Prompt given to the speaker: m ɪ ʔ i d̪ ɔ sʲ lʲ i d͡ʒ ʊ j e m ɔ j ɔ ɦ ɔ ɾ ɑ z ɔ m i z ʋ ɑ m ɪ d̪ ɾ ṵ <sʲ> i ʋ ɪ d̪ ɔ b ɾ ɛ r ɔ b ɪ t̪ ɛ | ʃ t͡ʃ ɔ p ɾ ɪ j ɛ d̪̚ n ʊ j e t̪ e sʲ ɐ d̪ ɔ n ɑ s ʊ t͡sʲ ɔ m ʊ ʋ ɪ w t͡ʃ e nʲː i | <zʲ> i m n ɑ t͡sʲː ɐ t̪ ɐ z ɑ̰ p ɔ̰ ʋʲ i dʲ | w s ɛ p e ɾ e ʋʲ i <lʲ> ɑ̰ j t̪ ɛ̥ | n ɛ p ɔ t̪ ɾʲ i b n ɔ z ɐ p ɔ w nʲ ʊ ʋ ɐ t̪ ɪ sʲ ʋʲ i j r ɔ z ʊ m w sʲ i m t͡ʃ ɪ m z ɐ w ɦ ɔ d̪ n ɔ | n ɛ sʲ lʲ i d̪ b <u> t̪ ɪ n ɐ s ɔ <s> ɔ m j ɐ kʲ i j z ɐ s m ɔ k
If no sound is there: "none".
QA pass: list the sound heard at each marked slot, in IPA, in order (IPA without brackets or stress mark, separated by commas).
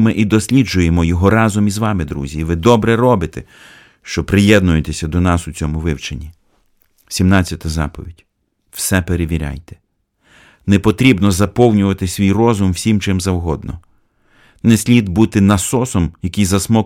zʲ, sʲ, ɾʲ, u, s